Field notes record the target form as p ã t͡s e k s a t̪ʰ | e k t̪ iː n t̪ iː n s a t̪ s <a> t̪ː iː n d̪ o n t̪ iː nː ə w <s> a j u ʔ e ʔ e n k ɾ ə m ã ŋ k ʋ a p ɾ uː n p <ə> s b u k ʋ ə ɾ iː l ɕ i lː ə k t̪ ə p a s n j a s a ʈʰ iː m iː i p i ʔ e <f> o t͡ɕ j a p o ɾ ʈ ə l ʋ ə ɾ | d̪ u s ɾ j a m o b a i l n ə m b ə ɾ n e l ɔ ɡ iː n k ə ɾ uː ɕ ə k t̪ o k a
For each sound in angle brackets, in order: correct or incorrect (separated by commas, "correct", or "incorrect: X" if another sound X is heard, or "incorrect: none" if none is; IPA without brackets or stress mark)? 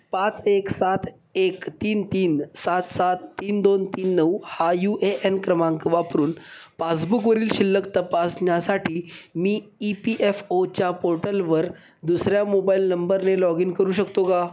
correct, incorrect: h, incorrect: a, correct